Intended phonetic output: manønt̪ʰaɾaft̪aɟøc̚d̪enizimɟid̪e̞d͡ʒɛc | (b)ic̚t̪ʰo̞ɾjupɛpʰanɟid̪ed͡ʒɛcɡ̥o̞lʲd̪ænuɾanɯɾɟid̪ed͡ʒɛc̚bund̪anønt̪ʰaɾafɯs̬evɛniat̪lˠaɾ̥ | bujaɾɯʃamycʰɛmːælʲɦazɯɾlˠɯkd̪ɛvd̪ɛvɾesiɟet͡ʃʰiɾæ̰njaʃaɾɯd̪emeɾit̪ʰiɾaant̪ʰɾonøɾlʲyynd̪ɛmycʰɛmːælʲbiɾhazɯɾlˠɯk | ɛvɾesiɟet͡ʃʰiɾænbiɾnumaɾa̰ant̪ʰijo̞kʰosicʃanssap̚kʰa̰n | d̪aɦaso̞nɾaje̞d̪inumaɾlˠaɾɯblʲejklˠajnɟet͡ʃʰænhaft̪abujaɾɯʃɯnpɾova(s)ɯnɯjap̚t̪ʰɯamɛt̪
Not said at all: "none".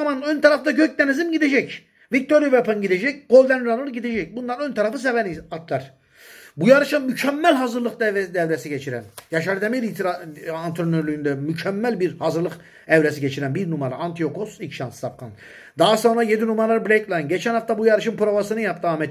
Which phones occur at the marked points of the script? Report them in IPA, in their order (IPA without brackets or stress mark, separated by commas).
v, s